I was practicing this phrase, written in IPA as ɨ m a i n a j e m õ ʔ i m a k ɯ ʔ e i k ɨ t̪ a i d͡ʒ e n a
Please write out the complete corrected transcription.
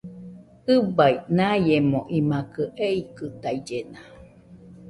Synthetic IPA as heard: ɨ b a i n a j e m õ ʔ i m a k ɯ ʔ e i k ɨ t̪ a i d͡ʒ e n a